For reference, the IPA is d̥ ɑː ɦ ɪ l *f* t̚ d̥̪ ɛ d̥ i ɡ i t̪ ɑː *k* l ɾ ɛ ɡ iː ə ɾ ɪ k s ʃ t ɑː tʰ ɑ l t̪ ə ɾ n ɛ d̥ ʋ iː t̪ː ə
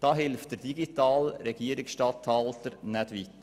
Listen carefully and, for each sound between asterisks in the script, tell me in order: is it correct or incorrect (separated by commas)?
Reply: correct, incorrect